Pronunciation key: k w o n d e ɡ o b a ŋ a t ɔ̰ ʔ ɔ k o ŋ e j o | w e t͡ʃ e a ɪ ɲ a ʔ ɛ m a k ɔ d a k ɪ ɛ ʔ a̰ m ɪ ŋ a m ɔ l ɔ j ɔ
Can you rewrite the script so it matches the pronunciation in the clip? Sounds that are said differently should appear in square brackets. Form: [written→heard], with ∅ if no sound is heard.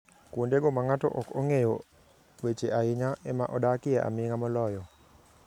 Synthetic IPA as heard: k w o n d e ɡ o [b→m] a ŋ a t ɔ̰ ʔ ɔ k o ŋ e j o | w e t͡ʃ e a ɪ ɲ a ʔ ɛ m a [k→ʔ] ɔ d a k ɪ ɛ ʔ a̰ m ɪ ŋ a m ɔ l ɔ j ɔ